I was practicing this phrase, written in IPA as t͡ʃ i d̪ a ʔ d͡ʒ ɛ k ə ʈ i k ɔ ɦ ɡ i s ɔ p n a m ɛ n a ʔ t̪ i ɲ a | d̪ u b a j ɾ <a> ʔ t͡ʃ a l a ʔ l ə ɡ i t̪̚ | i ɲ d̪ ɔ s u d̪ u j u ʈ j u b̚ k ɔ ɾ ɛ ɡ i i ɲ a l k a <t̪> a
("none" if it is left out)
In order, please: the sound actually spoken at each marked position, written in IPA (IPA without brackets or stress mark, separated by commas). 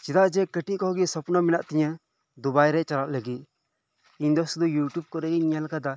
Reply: ɛ, d̪